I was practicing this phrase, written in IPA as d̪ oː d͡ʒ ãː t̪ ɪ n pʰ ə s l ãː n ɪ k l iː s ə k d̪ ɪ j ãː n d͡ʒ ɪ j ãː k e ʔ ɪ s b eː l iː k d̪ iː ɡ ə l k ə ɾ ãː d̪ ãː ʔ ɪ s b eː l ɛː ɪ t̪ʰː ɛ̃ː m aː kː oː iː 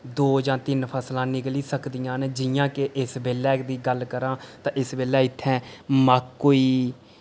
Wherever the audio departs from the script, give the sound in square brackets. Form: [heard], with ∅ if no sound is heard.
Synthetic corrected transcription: d̪ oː d͡ʒ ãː t̪ ɪ n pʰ ə s l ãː n ɪ k l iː s ə k d̪ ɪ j ãː n d͡ʒ ɪ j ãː k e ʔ ɪ s b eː l [ɛː] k d̪ iː ɡ ə l k ə ɾ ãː [t̪] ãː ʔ ɪ s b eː l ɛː ɪ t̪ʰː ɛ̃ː m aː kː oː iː

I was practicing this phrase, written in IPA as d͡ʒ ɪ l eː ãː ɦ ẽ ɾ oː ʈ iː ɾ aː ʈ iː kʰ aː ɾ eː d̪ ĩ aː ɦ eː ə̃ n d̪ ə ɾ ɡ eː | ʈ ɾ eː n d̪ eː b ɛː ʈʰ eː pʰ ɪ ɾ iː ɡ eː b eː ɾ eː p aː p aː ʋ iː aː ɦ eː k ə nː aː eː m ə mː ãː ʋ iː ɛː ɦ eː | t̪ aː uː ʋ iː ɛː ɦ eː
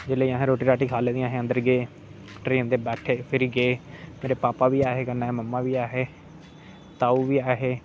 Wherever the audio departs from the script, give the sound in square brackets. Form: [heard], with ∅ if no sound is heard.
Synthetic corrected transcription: d͡ʒ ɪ l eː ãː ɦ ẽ ɾ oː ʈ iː ɾ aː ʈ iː kʰ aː [l] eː d̪ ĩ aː ɦ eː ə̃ n d̪ ə ɾ ɡ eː | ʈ ɾ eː n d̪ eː b ɛː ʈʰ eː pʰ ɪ ɾ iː ɡ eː [m] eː ɾ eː p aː p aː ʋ iː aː ɦ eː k ə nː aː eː m ə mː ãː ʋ iː [aː] ɦ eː | t̪ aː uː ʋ iː [aː] ɦ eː

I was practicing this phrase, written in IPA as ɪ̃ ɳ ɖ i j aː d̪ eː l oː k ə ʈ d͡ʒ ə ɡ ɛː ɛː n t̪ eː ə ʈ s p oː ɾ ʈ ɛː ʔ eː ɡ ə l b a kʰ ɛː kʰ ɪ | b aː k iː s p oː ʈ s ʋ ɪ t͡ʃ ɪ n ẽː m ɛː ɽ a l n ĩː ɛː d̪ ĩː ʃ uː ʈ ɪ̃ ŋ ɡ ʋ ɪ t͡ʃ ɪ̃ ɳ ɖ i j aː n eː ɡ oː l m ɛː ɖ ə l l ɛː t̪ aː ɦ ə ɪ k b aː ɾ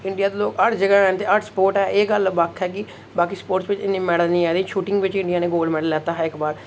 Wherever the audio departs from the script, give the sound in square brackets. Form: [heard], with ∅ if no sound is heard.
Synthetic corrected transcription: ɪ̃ ɳ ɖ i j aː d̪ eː l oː k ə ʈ d͡ʒ ə ɡ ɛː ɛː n t̪ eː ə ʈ s p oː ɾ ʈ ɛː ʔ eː ɡ ə l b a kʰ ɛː [k] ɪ | b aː k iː s p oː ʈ s ʋ ɪ t͡ʃ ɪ n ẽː m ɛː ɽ [ə] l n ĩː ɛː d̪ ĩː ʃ uː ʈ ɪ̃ ŋ ɡ ʋ ɪ t͡ʃ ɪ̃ ɳ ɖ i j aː n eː ɡ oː l m ɛː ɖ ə l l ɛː t̪ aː ɦ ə ɪ k b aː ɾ

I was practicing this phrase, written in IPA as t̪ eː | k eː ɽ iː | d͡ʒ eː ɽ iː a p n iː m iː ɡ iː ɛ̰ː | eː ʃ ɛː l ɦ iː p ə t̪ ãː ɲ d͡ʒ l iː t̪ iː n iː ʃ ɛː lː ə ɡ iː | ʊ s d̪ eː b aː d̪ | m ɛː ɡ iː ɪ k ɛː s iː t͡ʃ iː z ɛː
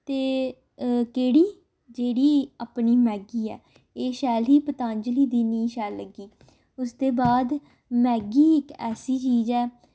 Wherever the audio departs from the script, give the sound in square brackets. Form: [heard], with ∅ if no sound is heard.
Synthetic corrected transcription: t̪ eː | k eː ɽ iː | d͡ʒ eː ɽ iː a p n iː m [ɛː] ɡ iː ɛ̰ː | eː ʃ ɛː l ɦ iː p ə t̪ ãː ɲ d͡ʒ l iː [d̪] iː n iː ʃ ɛː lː ə ɡ iː | ʊ s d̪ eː b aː d̪ | m ɛː ɡ iː ɪ k ɛː s iː t͡ʃ iː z ɛː

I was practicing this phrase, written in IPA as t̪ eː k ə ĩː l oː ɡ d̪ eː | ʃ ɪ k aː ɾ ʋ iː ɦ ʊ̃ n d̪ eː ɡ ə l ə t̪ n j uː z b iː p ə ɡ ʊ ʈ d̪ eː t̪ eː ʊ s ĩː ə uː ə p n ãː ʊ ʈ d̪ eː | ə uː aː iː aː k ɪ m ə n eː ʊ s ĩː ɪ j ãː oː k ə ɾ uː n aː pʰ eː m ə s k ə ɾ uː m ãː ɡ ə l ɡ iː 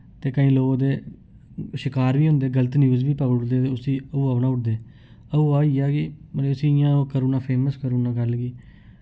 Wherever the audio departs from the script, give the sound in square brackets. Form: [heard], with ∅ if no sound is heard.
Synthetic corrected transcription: t̪ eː k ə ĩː l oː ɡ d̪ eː | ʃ ɪ k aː ɾ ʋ iː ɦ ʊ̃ n d̪ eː ɡ ə l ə t̪ n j uː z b iː p ə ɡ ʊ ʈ d̪ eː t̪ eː ʊ s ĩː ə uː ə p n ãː ʊ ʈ d̪ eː | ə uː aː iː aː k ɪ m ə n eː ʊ s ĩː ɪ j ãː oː k ə ɾ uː n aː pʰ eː m ə s k ə ɾ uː [n] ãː ɡ ə l ɡ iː

